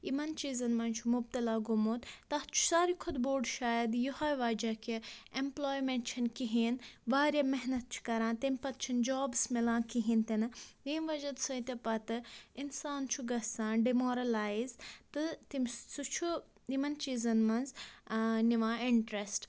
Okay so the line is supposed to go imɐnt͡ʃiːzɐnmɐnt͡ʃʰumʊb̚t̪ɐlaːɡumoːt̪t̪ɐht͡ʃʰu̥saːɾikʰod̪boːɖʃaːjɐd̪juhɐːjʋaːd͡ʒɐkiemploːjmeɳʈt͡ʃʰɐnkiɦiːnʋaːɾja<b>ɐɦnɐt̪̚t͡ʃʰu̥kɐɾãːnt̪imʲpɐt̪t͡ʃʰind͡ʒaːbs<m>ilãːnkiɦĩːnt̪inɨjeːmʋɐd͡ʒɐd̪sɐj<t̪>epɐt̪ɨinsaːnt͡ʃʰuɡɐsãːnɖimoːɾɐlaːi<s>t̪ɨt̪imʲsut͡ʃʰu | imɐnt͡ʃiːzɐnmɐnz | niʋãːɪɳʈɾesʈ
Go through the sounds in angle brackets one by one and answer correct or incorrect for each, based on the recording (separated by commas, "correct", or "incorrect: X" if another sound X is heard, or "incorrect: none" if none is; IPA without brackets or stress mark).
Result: incorrect: m, correct, correct, incorrect: z